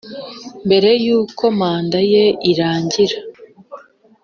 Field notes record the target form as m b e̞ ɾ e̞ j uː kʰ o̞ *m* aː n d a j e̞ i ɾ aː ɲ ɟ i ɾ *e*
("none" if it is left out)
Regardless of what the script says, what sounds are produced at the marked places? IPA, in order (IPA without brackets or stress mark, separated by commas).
m, a